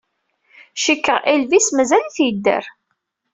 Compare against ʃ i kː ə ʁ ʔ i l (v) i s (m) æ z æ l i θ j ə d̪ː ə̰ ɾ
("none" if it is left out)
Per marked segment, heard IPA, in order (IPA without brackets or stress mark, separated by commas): v, m